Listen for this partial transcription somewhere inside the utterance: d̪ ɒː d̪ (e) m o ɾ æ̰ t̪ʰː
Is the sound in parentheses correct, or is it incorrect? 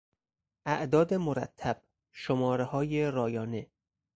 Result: correct